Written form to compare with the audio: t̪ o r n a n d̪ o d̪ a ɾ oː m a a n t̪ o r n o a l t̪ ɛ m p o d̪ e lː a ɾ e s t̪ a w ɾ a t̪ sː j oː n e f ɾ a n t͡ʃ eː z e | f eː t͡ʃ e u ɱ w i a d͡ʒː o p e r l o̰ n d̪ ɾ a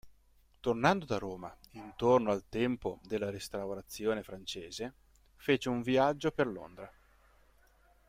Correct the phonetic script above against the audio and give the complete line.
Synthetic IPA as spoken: t̪ o r n a n d̪ o d̪ a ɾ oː m a i n t̪ o r n o a l t̪ ɛ m p o d̪ e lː a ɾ e s t̪ a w ɾ a t̪ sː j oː n e f ɾ a n t͡ʃ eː z e | f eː t͡ʃ e u ɱ v i a d͡ʒː o p e r l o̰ n d̪ ɾ a